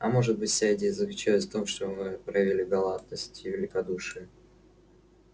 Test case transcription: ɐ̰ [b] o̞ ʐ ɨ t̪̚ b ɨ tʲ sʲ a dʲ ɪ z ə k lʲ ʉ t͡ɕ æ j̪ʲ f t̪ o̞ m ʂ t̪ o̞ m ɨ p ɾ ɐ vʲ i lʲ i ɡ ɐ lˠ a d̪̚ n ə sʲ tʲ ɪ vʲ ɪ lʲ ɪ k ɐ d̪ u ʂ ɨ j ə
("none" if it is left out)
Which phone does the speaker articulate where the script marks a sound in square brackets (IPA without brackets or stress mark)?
m